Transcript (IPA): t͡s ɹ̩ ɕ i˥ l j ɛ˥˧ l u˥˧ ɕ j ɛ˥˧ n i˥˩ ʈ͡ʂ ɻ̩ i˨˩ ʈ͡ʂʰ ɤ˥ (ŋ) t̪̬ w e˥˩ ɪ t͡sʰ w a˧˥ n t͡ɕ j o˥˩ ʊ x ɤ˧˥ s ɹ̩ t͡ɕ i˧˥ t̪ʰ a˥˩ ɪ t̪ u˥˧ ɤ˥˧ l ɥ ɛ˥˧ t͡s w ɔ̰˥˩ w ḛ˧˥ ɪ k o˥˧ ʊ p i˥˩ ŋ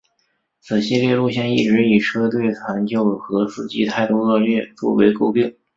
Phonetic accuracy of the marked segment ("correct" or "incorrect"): incorrect